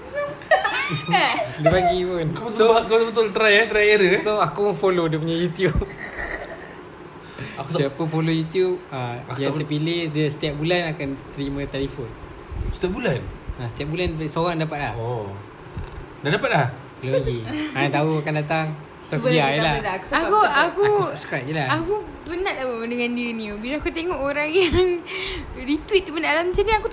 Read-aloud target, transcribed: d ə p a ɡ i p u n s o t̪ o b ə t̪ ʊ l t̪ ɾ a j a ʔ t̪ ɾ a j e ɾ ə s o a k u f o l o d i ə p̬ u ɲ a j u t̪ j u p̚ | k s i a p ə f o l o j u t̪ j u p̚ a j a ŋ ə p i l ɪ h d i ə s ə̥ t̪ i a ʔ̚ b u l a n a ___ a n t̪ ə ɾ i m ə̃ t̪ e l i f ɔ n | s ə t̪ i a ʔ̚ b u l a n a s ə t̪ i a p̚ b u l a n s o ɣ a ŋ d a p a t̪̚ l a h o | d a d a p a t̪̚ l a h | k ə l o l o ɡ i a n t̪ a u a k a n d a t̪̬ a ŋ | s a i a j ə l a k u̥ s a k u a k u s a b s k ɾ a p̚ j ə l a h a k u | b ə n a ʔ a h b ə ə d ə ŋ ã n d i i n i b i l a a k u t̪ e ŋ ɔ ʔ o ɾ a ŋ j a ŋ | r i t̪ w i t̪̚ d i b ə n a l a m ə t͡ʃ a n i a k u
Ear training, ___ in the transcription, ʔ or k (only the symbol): k